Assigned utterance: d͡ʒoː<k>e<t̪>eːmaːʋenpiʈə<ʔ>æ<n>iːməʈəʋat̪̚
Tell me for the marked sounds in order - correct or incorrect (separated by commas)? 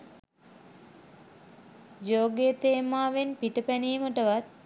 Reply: incorrect, correct, incorrect, correct